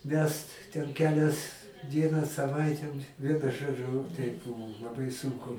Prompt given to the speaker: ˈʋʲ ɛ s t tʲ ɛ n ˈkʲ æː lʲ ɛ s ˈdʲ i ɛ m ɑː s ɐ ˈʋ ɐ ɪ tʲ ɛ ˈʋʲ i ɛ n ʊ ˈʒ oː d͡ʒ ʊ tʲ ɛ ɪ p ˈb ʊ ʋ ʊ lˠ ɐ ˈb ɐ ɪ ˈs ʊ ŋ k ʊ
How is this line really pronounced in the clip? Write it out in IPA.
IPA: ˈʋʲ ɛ s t tʲ ɛ n ˈkʲ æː lʲ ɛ s ˈdʲ i ɛ n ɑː s ɐ ˈʋ ɐ ɪ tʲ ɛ ˈʋʲ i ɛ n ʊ ˈʒ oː d͡ʒ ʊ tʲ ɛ ɪ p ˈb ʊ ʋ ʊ lˠ ɐ ˈb ɐ ɪ ˈs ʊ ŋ k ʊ